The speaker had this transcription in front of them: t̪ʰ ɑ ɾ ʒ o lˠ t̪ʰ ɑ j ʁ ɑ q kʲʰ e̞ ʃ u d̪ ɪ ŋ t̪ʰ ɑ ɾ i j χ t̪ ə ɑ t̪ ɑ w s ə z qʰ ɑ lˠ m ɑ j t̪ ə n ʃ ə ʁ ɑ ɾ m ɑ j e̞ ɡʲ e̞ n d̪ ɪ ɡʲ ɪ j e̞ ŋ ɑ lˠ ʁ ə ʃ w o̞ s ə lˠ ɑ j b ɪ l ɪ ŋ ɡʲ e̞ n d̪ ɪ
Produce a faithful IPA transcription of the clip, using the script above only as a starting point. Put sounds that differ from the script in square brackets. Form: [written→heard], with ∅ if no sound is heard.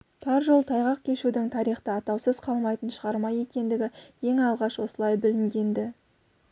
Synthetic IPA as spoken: t̪ʰ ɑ ɾ ʒ o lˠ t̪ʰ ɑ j ʁ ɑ q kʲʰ e̞ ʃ u d̪ ɪ ŋ t̪ʰ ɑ ɾ i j χ t̪ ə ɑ t̪ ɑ w s ə z qʰ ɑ lˠ m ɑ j t̪ ə n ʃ ə ʁ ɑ ɾ m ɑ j e̞ [ɡʲ→kʲ] e̞ n d̪ ɪ ɡʲ ɪ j e̞ ŋ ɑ lˠ ʁ [ə→ɑ] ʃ w o̞ s ə lˠ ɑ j b ɪ l ɪ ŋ ɡʲ e̞ n d̪ ɪ